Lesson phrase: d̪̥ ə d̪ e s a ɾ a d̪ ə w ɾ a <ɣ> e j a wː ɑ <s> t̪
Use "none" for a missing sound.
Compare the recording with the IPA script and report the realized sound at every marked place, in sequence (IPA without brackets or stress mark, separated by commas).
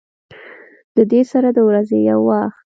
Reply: z, x